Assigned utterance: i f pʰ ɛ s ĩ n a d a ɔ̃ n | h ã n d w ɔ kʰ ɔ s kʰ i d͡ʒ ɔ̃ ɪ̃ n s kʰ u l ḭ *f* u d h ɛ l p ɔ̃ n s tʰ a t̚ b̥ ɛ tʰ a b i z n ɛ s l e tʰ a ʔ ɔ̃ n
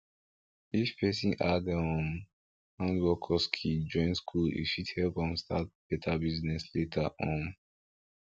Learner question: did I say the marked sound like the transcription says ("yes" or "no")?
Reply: no